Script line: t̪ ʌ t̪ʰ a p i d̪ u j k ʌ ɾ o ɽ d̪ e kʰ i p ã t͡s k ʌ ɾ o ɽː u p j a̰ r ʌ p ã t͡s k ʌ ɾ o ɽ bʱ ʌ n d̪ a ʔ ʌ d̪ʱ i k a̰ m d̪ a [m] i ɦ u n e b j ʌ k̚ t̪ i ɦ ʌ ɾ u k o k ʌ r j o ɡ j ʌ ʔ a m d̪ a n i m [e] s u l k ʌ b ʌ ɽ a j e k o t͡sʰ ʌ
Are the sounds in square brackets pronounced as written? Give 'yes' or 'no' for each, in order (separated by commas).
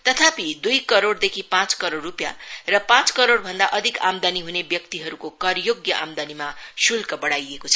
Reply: no, no